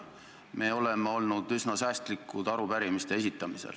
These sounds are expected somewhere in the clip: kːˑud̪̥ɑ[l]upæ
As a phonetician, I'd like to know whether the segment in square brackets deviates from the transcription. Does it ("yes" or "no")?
yes